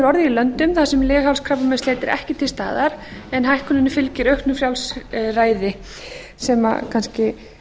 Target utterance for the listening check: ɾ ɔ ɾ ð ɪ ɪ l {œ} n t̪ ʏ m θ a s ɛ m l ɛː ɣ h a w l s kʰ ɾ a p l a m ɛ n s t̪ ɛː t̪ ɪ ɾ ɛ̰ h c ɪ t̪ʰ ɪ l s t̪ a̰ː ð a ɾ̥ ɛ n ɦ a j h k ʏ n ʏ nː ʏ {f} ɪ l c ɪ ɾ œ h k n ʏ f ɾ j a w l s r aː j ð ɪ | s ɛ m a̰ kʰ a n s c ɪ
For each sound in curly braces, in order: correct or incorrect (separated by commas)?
correct, correct